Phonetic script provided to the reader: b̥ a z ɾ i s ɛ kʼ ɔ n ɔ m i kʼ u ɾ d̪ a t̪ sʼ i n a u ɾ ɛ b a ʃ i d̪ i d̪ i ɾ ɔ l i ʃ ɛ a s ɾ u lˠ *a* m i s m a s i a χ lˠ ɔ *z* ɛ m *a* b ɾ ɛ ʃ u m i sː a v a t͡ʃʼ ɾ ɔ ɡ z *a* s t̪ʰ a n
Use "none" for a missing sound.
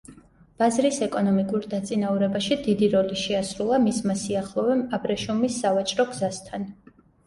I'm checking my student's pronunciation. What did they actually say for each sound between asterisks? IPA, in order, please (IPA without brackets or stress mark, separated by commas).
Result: a, v, a, a